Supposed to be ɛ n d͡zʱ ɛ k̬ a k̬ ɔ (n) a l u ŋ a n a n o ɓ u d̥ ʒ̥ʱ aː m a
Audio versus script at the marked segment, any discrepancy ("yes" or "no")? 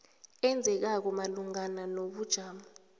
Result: yes